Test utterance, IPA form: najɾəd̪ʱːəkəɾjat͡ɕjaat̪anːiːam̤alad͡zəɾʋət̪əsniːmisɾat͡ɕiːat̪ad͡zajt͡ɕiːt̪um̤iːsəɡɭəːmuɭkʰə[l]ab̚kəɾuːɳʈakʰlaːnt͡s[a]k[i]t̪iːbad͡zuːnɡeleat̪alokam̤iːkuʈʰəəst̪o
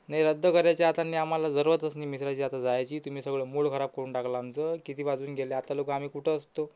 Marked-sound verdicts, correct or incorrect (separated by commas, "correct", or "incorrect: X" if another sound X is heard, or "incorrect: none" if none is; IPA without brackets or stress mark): incorrect: ɾ, incorrect: ə, correct